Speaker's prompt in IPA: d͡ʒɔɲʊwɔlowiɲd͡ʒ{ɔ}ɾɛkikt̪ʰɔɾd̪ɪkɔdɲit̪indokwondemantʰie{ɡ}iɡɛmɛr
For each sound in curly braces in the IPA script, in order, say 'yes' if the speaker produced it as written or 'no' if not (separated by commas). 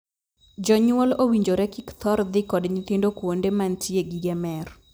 no, yes